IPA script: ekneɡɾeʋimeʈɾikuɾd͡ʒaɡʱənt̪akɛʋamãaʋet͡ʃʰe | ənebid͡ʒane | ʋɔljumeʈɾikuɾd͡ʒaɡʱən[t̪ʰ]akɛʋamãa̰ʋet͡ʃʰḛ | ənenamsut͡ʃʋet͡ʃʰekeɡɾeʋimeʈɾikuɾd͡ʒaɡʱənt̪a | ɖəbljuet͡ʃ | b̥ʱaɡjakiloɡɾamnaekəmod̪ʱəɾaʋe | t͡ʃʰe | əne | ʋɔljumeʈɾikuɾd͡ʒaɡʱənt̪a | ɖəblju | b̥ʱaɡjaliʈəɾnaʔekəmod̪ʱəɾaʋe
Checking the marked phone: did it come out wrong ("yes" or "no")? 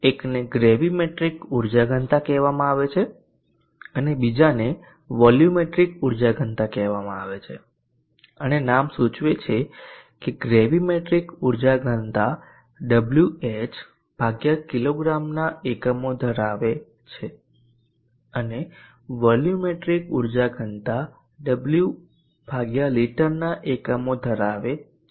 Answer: yes